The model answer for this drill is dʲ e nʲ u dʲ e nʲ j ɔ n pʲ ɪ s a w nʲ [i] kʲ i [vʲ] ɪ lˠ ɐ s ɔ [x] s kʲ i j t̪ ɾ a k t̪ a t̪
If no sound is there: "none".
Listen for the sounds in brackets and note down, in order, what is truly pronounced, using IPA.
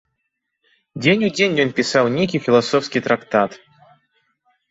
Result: e, fʲ, f

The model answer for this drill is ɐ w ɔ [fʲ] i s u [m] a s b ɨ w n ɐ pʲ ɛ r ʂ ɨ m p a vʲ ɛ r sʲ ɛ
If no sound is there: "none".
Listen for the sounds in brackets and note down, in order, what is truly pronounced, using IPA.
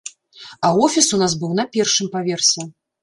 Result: fʲ, n

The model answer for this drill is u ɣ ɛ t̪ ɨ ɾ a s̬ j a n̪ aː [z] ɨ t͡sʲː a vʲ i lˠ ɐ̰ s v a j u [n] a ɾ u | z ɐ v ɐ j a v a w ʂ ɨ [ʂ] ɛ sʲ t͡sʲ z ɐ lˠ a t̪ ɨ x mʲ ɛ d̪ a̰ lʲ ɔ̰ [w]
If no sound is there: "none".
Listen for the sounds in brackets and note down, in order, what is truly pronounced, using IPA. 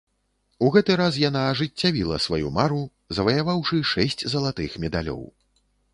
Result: ʐ, m, ʂ, w

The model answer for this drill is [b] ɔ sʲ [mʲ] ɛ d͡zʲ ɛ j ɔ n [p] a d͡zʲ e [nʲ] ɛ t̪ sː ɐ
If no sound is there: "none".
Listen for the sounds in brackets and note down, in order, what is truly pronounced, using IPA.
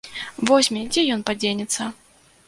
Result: v, mʲ, p, nʲ

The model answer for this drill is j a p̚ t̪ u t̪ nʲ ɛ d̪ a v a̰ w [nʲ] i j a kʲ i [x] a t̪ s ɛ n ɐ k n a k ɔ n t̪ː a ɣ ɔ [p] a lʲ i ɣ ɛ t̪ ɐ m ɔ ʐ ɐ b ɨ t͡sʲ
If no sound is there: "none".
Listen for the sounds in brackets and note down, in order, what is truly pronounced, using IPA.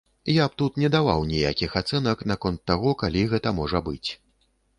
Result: nʲ, x, k

